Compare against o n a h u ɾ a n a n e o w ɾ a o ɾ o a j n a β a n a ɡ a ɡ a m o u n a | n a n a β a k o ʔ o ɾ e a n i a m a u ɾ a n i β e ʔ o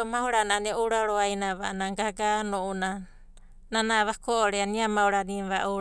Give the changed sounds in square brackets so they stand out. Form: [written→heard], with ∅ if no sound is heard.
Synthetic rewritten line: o [n→m] a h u ɾ a n a n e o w ɾ a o ɾ o a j n a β a n a ɡ a ɡ a [m→n] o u n a | n a n a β a k o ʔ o ɾ e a n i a m a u ɾ a n i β [e→a] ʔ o